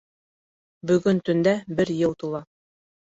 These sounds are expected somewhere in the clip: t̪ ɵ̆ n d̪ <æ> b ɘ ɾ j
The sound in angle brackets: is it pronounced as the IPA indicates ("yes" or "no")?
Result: yes